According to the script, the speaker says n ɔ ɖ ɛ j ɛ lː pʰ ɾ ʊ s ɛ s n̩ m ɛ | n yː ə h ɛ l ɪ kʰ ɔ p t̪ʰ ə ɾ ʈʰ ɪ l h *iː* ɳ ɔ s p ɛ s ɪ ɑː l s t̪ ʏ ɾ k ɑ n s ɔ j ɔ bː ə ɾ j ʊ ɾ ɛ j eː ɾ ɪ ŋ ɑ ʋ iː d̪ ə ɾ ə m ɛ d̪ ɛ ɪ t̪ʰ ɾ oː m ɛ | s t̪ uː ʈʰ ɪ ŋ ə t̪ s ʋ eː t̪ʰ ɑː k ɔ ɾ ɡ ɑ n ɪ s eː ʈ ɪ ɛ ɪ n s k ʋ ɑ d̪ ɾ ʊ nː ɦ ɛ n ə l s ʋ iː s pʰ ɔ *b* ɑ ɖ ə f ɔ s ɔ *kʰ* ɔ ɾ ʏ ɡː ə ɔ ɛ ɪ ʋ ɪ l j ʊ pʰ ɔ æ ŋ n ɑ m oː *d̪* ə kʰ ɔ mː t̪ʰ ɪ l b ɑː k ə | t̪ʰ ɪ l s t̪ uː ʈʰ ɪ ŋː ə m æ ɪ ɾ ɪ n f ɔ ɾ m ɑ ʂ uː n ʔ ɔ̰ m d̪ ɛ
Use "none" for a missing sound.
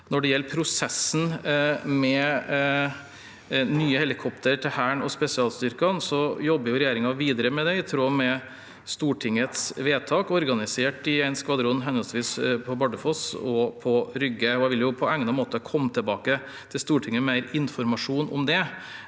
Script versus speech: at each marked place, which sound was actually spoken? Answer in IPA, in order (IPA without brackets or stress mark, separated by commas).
æː, b, pʰ, t̪